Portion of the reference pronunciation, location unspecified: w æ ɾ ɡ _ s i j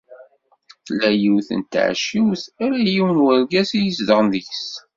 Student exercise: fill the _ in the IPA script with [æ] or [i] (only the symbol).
æ